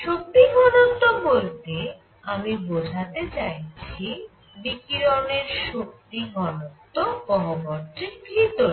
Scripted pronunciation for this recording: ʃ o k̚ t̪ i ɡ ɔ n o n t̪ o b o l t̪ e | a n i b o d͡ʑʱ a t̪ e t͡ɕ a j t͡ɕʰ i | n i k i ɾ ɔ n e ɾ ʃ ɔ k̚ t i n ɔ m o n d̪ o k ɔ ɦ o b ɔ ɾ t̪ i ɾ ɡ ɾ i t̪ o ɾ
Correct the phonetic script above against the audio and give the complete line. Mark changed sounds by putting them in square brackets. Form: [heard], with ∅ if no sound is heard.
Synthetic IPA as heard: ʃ o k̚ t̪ i [ŋ] ɔ n o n t̪ o b o l t̪ e | a [m] i b o d͡ʑʱ a t̪ e t͡ɕ a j t͡ɕʰ i | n i k i ɾ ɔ n e ɾ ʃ [o] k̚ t i [ŋ] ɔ [n] o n [t̪] o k ɔ ɦ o b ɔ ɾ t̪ i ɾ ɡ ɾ i t̪ o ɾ